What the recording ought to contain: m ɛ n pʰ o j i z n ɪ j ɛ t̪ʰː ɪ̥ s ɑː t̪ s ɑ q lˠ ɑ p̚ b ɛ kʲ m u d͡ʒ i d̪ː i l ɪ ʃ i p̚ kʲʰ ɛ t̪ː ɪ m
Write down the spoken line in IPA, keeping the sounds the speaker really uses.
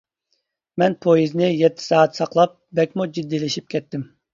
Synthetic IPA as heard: m ɛ n pʰ o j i z n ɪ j ɛ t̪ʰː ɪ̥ s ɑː t̪ s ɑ q lˠ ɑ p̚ b ɛ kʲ m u d͡ʒ i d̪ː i l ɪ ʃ i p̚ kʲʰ ɛ t̪ː ɪ m